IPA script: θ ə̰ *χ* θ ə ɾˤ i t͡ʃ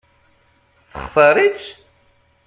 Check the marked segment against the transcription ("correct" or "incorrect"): correct